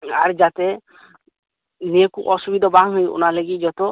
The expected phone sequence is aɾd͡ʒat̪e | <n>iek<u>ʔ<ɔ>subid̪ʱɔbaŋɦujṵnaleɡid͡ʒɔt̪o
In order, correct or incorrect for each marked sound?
correct, correct, correct

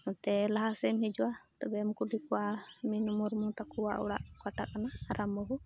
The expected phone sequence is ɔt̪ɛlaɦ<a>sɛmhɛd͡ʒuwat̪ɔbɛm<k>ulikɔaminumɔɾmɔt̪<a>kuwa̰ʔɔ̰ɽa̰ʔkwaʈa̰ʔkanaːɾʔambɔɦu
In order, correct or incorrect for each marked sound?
correct, correct, correct

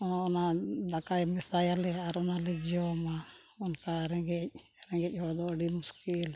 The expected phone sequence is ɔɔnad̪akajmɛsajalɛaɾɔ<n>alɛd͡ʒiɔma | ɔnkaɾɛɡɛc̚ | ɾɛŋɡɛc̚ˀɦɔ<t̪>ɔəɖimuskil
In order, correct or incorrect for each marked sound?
correct, incorrect

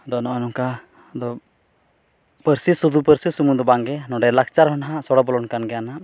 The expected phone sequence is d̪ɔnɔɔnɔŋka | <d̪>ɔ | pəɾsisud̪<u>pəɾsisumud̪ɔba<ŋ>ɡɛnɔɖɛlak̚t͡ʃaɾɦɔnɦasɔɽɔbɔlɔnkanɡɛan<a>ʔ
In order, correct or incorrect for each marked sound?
correct, correct, correct, correct

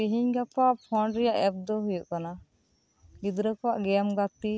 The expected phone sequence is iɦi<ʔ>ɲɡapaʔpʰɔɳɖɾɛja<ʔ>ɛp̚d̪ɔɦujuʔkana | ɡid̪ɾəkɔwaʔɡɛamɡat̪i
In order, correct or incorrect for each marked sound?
incorrect, correct

